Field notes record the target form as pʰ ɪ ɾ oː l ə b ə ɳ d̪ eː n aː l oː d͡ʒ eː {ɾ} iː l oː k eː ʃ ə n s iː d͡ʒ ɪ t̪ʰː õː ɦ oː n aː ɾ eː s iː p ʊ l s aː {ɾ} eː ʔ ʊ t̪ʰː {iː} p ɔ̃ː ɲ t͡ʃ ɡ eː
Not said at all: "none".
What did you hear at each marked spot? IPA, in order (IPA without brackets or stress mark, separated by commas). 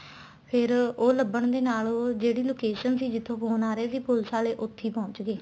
ɽ, l, iː